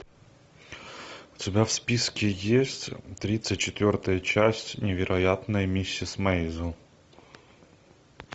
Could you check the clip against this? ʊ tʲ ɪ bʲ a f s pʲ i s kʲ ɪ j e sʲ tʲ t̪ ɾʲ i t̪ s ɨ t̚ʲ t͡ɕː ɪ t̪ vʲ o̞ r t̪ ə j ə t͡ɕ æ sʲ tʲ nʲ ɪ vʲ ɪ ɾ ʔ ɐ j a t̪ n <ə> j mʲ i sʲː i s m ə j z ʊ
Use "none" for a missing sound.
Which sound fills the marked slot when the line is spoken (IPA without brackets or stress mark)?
ə